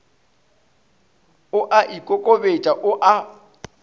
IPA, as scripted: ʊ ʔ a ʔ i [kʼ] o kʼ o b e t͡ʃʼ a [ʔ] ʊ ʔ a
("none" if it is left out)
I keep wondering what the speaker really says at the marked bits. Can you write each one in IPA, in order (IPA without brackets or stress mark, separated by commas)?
kʼ, ʔ